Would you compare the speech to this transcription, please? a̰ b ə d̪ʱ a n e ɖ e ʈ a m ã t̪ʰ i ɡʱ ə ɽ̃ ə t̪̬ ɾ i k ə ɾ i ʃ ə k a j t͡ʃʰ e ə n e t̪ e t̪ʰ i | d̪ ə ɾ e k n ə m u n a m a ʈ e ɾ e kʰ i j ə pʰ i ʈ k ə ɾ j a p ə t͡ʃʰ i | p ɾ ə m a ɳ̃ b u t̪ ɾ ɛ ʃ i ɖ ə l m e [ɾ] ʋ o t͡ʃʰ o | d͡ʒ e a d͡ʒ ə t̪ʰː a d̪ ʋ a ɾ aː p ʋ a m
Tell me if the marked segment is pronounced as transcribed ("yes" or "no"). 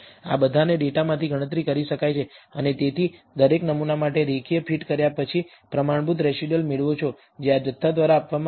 no